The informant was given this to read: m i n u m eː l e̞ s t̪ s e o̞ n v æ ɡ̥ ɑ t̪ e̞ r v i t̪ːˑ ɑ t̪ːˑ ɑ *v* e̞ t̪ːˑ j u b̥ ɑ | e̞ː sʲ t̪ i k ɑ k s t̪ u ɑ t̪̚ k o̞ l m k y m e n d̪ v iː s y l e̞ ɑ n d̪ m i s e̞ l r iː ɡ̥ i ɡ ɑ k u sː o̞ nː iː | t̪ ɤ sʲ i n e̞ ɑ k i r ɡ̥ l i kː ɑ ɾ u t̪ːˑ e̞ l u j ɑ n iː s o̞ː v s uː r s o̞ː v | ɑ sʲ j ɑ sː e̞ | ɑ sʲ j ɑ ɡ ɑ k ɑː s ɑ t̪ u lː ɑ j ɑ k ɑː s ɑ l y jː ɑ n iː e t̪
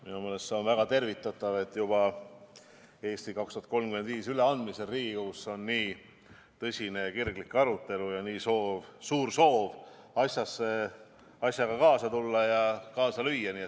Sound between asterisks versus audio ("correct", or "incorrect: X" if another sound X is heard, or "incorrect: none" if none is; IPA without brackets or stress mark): correct